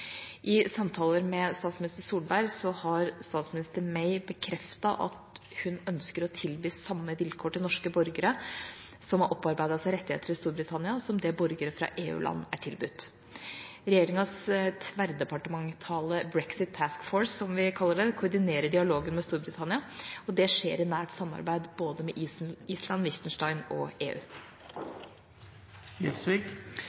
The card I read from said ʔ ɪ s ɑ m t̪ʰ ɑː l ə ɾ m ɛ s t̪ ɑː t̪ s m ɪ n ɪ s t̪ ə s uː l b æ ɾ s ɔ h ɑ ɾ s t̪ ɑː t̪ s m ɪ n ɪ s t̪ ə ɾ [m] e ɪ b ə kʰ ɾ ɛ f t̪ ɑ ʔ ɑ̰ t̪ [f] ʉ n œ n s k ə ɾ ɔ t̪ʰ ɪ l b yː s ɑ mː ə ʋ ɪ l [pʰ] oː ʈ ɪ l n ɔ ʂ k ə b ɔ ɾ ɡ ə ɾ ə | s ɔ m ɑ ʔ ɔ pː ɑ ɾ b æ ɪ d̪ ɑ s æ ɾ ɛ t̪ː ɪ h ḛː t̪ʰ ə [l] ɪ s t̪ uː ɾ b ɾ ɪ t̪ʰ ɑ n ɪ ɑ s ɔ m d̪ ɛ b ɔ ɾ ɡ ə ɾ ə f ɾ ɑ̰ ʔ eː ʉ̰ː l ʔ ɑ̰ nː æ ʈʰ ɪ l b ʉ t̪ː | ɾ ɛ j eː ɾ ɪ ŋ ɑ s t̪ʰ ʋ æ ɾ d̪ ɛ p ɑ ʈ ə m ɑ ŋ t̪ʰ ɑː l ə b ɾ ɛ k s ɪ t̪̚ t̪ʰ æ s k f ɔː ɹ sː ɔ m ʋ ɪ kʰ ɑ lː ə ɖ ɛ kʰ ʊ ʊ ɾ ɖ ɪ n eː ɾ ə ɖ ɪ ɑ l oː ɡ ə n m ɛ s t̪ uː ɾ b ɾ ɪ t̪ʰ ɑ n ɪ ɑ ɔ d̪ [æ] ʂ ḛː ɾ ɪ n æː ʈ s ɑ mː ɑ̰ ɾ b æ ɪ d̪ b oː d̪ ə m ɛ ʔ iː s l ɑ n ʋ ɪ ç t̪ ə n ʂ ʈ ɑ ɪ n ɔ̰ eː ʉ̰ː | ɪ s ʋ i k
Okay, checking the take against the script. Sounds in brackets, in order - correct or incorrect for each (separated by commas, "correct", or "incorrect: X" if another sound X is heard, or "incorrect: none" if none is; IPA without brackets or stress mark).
correct, incorrect: h, incorrect: kʰ, incorrect: ɾ, incorrect: ɛ